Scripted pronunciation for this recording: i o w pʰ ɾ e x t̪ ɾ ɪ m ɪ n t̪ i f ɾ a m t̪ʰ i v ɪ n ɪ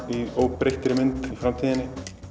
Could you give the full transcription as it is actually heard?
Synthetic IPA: i o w p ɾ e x t̪ ɾ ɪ m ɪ n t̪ i f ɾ a m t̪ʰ i ð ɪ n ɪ